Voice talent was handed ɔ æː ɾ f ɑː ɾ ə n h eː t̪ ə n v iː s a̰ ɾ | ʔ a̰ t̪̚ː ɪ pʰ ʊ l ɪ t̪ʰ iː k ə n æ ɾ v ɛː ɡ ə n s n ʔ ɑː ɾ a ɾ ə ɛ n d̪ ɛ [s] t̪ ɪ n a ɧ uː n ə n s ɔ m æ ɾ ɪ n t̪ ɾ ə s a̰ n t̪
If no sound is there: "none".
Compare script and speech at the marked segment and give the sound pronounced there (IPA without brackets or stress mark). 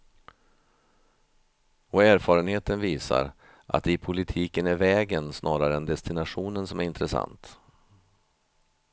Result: s